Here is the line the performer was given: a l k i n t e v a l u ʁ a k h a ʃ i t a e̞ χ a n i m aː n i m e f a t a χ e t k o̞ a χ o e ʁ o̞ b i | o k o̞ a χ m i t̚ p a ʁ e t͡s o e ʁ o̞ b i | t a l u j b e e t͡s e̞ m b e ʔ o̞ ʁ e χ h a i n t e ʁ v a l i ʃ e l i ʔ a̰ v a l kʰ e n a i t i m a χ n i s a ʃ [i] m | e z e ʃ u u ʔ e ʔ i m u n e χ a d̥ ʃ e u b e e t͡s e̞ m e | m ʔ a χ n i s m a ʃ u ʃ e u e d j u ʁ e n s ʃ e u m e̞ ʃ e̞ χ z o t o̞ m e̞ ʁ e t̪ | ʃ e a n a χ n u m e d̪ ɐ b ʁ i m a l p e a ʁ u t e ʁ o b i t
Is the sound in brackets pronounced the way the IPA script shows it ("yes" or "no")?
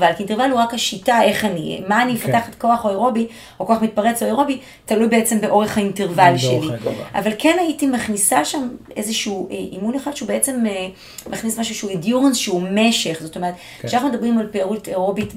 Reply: no